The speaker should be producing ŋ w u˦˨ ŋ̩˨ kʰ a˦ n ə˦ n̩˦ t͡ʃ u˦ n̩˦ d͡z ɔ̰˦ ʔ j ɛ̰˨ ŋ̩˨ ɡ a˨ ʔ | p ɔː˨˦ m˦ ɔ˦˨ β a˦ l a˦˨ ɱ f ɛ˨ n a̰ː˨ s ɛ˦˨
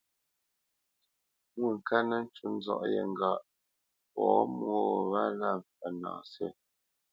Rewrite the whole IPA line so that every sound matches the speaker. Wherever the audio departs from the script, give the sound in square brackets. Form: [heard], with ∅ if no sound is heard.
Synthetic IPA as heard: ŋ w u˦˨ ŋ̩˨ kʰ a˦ n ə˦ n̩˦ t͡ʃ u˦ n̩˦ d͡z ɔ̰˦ ʔ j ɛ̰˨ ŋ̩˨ ɡ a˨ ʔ | p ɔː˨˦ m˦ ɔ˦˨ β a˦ l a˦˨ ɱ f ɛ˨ n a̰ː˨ s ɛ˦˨